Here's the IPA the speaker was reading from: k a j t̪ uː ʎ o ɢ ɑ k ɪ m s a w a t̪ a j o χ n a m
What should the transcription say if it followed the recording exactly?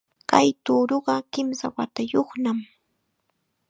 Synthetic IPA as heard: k a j t̪ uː ɾ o ɢ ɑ k ɪ m s a w a t̪ a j o χ n a m